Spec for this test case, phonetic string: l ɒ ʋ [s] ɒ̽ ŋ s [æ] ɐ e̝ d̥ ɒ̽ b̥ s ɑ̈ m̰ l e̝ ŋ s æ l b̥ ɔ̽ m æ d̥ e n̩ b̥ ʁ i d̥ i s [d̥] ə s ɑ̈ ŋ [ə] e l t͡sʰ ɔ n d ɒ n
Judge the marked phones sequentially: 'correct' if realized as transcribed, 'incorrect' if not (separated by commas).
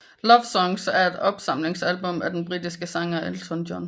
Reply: correct, correct, incorrect, incorrect